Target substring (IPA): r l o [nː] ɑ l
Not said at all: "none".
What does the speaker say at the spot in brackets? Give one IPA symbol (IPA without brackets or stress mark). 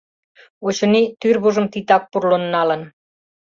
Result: nː